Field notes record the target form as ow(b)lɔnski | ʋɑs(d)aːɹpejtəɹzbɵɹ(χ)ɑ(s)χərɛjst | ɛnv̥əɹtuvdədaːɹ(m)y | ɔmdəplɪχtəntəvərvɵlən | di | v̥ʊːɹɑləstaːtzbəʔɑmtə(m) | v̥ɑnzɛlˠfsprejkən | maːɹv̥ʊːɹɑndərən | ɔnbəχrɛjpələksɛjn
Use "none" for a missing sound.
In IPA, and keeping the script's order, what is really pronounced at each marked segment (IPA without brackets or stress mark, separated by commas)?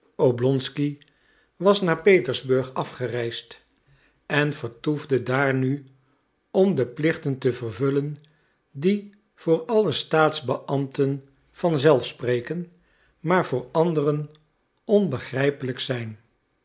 b, n, χ, f, n, n